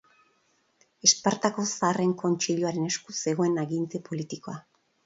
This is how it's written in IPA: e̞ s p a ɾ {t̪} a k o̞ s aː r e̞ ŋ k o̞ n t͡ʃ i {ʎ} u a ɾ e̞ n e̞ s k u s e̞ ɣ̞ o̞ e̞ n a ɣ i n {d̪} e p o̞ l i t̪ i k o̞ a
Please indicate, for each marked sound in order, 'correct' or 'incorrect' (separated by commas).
correct, correct, incorrect